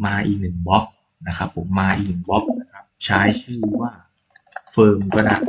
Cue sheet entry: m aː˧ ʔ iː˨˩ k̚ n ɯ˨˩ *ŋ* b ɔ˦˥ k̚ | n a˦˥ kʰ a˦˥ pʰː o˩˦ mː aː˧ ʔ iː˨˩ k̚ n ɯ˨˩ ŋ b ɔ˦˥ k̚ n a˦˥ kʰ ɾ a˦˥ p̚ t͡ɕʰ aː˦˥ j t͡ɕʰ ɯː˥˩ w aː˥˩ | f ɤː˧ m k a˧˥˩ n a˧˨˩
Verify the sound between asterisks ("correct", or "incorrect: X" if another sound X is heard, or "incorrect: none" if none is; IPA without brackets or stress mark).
correct